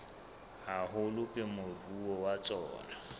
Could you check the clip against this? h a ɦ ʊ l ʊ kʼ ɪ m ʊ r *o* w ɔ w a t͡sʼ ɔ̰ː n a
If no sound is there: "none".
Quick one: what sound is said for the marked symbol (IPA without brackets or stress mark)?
u